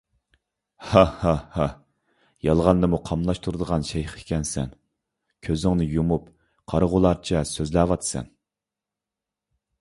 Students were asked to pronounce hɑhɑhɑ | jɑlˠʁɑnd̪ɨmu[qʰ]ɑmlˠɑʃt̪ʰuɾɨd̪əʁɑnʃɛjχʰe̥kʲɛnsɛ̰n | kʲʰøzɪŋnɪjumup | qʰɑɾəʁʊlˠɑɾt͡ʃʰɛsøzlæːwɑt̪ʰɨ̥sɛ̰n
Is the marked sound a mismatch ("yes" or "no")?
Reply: no